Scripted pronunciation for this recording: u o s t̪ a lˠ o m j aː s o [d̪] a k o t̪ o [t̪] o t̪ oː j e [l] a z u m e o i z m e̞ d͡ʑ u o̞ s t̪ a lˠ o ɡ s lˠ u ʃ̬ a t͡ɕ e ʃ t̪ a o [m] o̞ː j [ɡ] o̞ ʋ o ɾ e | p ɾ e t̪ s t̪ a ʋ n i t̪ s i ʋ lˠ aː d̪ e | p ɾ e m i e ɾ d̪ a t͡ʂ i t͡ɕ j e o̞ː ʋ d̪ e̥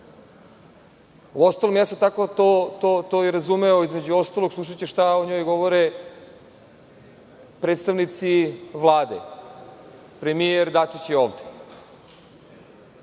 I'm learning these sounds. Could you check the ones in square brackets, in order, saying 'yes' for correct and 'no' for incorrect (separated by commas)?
no, yes, no, no, yes